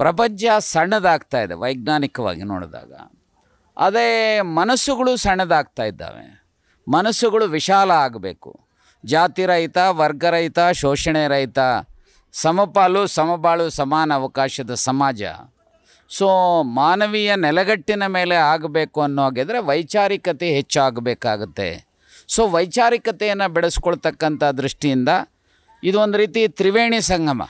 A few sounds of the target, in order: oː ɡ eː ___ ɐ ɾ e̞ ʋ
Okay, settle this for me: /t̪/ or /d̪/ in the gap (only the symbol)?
d̪